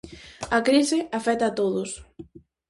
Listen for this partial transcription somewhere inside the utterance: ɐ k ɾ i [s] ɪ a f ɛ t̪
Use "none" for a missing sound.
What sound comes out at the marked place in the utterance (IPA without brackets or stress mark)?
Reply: s